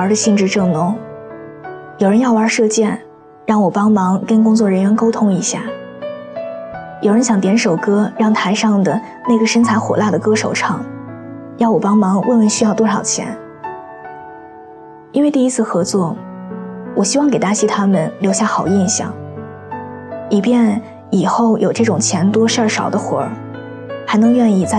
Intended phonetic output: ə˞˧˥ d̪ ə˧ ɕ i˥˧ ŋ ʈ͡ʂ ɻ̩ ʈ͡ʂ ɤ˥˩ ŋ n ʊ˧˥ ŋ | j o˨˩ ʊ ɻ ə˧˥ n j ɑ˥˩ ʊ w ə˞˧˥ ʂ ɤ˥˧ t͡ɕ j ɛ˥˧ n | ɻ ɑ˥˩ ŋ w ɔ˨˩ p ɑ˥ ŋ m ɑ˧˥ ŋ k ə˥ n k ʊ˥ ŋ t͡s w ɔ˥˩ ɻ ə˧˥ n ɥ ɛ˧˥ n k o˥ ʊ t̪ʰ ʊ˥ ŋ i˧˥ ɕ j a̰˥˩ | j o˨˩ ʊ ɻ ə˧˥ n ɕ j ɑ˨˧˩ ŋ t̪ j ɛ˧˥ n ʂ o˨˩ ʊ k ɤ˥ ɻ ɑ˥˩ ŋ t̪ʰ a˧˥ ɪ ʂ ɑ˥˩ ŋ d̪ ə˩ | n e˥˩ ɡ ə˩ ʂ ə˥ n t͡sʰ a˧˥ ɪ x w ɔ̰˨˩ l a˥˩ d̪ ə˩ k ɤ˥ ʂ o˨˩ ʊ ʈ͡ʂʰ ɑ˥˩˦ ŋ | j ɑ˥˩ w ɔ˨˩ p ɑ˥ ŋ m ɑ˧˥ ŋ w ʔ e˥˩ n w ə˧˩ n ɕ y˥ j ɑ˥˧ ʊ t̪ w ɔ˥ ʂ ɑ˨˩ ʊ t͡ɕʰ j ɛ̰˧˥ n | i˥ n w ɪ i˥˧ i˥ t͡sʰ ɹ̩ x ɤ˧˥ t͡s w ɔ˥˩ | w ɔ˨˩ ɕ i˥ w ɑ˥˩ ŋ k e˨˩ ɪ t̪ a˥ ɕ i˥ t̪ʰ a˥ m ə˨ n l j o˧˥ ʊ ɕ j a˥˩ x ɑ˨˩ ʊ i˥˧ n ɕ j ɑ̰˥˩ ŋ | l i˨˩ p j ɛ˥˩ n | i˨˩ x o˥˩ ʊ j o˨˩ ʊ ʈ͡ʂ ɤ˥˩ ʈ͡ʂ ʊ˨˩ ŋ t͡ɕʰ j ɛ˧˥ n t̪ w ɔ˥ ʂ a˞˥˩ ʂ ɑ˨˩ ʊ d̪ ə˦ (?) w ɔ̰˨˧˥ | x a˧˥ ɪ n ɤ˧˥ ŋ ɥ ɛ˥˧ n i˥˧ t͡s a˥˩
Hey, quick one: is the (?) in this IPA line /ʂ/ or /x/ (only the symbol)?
x